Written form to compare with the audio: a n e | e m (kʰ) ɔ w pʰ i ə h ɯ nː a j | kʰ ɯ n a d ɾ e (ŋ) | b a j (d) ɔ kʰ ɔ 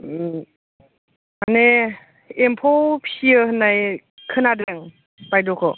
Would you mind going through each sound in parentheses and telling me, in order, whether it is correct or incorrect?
incorrect, correct, correct

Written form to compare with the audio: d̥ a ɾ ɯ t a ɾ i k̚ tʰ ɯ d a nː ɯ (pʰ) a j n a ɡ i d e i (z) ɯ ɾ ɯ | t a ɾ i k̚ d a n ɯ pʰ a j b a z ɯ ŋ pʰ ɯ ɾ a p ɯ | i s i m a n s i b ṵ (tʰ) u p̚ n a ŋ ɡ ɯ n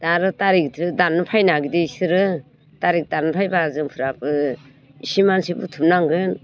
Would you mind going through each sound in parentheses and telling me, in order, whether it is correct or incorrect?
correct, incorrect, correct

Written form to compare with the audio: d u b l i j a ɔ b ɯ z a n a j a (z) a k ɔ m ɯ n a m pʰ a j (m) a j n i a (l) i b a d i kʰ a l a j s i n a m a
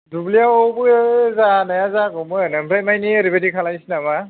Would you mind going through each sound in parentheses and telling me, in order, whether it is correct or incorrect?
correct, correct, incorrect

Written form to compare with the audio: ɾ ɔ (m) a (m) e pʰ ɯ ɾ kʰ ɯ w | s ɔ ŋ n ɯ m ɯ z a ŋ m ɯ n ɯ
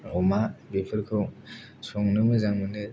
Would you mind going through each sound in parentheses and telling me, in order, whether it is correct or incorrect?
correct, incorrect

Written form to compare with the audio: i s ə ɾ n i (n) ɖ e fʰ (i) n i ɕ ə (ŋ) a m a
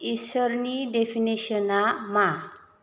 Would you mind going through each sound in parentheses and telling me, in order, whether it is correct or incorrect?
incorrect, correct, incorrect

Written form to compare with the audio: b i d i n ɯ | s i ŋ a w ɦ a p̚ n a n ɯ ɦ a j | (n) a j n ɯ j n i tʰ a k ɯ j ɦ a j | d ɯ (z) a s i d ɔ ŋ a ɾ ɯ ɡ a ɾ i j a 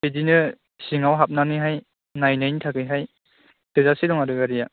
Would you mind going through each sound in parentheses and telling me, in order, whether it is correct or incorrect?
correct, correct

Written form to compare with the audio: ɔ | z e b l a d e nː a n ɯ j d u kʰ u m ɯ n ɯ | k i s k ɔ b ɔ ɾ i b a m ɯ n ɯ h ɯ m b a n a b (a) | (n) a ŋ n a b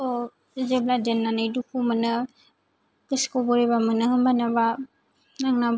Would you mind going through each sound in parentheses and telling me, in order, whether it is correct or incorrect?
correct, correct

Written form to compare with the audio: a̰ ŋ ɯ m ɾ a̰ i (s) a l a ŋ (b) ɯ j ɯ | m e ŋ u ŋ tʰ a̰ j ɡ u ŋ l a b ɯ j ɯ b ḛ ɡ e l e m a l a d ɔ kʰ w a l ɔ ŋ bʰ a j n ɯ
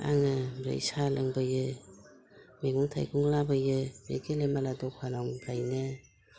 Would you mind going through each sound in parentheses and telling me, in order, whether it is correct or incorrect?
correct, correct

